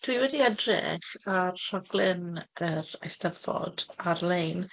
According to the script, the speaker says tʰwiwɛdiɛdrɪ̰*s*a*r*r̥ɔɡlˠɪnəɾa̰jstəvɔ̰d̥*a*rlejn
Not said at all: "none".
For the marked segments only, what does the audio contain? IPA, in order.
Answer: χ, r, a

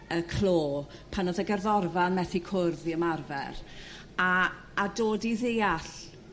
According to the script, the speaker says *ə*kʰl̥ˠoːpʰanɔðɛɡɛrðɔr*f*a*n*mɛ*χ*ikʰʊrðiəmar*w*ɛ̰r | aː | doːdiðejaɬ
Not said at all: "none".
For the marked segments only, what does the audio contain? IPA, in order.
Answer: ə, v, n, θ, v

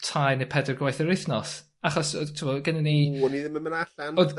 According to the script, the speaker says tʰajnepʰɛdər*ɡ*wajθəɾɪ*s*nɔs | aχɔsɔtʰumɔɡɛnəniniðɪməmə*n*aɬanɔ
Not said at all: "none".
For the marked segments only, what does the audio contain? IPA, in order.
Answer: ɡ, θ, n

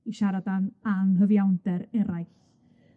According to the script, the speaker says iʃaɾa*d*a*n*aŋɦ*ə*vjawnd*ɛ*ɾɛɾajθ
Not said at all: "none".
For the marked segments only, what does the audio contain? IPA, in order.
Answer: d, n, ə, ɛ

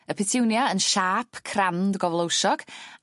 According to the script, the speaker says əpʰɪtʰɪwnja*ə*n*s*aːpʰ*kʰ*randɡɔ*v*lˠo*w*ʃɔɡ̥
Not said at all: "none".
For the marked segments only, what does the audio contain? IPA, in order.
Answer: ə, ʃ, kʰ, v, w

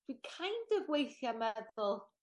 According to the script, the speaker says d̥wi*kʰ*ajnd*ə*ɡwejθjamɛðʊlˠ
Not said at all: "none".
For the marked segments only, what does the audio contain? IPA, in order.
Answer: kʰ, ə

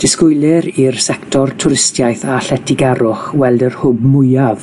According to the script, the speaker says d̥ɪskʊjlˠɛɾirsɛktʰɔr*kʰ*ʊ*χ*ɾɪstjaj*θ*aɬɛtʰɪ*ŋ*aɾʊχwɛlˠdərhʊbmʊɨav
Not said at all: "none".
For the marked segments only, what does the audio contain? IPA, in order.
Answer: tʰ, none, θ, ɡ

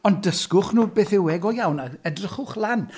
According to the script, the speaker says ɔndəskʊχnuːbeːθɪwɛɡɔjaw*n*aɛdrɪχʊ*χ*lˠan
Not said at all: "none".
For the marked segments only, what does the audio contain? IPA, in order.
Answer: n, χ

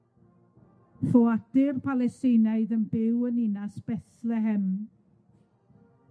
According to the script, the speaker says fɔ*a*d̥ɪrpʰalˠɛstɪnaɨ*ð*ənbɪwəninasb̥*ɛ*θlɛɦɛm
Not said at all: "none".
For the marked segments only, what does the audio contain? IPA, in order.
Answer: a, ð, ɛ

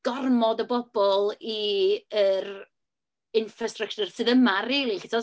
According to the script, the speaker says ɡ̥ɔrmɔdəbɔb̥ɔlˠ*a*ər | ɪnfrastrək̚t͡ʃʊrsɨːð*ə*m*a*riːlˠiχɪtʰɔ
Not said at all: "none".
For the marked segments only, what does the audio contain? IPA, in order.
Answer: i, ə, a

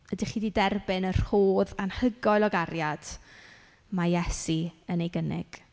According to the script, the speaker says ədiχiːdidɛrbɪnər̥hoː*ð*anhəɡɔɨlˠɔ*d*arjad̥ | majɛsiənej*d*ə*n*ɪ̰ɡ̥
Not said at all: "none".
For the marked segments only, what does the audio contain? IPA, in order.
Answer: ð, ɡ, ɡ, n

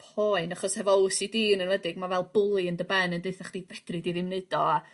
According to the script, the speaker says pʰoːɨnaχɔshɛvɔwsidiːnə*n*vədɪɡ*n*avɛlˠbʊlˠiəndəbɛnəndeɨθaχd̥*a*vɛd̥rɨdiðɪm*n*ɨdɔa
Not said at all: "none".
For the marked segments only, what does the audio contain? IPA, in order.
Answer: n, m, i, n

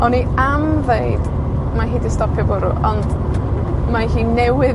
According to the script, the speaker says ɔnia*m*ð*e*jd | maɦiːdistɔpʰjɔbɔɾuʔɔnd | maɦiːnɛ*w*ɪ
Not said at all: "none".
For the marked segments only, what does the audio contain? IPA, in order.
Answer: m, e, w

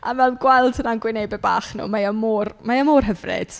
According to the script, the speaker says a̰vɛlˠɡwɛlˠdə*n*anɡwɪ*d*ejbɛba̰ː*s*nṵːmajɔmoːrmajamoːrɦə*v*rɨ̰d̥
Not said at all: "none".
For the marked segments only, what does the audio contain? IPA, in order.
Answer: n, n, χ, v

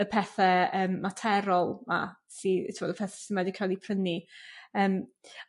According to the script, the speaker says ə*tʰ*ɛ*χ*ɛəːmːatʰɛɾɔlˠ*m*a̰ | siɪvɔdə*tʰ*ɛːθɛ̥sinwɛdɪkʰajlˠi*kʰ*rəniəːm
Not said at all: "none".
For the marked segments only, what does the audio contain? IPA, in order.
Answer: pʰ, θ, m, pʰ, pʰ

